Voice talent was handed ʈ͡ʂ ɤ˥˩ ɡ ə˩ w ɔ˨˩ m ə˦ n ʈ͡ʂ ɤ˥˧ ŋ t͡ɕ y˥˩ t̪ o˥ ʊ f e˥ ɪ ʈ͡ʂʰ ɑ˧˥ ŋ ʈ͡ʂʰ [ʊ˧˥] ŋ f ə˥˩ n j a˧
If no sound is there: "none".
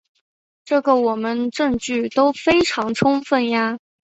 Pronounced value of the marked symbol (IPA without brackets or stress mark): ʊ˥